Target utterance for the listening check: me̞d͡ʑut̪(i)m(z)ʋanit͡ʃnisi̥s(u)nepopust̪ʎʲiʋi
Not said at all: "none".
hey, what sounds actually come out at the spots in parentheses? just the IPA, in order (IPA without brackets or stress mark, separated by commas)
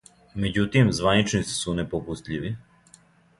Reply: i, z, u